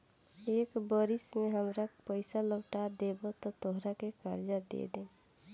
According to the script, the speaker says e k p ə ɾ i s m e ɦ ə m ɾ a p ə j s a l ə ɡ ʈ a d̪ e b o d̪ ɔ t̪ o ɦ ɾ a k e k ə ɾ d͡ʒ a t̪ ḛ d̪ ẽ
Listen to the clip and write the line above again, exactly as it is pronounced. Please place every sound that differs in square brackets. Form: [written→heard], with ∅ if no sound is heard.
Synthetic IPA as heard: e k [p→b] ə ɾ i s m e ɦ ə m ɾ a p ə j s a l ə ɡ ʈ a d̪ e b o [d̪→t̪] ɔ t̪ o ɦ ɾ a k e k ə ɾ d͡ʒ a [t̪→d̪] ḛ d̪ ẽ